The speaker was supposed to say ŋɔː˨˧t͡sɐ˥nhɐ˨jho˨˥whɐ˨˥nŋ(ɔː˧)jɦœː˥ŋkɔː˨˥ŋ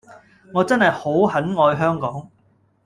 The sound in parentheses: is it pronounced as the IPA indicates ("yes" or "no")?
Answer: yes